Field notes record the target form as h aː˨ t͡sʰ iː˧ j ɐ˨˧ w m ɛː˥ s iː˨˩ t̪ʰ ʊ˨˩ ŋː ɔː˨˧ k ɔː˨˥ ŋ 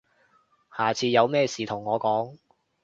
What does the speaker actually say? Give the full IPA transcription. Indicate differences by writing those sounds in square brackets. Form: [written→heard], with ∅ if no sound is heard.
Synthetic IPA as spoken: h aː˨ t͡sʰ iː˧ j ɐ˨˧ w m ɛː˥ s iː˨˩ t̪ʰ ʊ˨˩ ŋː ɔː˨˧ k ɔː˨˥ ŋ